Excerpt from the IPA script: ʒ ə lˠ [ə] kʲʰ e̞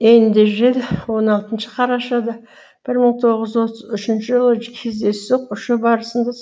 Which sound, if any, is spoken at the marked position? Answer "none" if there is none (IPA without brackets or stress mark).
ə